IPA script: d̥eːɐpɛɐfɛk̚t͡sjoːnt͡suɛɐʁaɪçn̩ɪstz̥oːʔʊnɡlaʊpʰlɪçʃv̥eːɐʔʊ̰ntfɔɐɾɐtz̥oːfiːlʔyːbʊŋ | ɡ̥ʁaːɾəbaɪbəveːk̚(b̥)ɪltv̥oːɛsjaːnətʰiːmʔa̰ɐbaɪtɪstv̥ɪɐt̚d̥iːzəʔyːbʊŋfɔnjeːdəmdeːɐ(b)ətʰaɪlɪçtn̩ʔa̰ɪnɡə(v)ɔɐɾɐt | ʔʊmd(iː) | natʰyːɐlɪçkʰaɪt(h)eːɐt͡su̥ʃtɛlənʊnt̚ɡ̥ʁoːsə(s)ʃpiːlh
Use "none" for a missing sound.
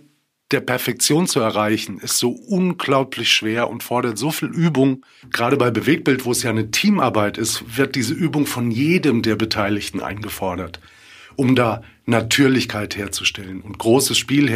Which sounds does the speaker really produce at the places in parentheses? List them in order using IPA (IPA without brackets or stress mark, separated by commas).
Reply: b̥, b, f, aː, h, s